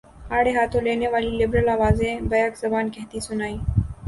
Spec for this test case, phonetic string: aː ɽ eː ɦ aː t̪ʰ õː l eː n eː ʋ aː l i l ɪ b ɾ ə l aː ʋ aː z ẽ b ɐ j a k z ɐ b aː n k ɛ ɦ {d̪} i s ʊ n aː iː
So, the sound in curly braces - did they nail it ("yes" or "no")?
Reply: no